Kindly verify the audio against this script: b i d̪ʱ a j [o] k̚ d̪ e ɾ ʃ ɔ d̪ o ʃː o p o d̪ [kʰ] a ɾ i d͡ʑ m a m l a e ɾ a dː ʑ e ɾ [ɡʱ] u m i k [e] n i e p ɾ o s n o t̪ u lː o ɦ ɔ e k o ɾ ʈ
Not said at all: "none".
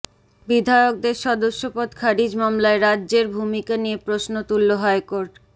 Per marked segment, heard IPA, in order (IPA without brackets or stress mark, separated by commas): o, kʰ, bʱ, a